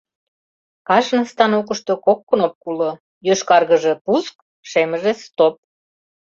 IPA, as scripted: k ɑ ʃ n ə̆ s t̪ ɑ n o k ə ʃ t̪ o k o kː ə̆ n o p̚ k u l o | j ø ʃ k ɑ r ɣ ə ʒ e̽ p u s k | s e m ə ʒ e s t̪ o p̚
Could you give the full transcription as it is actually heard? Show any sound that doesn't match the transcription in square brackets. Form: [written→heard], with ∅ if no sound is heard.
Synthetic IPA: k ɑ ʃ n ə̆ s t̪ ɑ n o k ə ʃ t̪ o k o kː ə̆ n o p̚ k u l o | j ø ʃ k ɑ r ɣ ə ʒ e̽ p u s k | [s→ʃ] e m ə ʒ e s t̪ o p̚